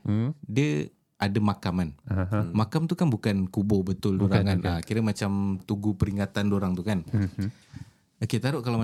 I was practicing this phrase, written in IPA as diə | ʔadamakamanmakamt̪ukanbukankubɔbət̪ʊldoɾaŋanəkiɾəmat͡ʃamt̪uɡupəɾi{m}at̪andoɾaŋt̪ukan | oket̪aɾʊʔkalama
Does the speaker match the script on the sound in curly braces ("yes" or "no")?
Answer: no